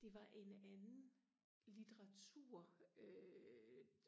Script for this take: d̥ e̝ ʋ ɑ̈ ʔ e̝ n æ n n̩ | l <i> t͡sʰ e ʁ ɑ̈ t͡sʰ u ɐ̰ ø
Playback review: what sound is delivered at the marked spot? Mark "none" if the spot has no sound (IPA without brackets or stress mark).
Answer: i